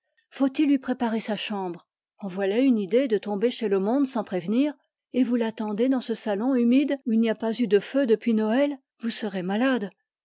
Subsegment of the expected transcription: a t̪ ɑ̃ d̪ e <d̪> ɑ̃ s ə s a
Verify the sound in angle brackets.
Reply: correct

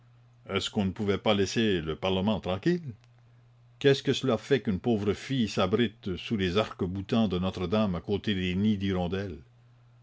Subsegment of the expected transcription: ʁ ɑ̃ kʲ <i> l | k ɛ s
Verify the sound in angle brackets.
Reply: correct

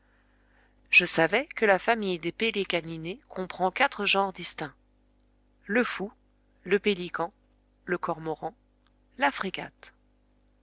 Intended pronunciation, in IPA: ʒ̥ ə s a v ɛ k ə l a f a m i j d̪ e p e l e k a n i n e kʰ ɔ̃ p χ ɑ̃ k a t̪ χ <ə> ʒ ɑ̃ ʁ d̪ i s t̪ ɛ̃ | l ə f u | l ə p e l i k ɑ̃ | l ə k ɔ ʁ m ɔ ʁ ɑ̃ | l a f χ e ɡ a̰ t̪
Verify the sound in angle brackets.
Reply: correct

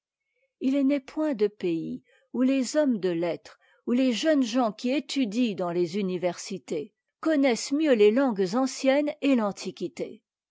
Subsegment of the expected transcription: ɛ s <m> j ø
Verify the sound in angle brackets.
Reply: correct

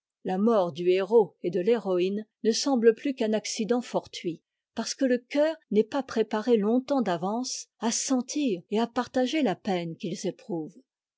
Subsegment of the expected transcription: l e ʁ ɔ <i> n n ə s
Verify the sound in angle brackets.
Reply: correct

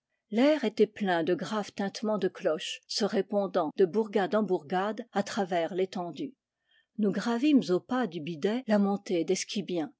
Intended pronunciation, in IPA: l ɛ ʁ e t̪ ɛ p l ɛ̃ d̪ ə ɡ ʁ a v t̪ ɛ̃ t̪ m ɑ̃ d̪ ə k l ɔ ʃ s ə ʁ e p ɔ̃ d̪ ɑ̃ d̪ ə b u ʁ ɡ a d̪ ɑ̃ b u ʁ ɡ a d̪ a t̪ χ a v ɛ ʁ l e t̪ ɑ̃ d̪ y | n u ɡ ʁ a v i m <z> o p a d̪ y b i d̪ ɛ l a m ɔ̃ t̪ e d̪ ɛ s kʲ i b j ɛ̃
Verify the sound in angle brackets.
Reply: correct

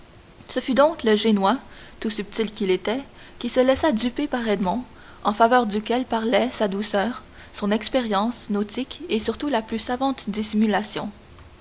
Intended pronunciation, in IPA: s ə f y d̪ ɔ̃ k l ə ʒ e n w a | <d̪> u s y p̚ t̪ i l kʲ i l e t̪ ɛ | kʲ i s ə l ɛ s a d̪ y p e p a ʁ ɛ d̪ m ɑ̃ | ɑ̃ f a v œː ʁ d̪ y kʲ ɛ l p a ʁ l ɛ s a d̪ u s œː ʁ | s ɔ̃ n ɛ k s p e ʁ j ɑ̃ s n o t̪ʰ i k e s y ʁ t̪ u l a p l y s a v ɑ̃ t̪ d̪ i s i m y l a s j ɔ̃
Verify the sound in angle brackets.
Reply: incorrect: t̪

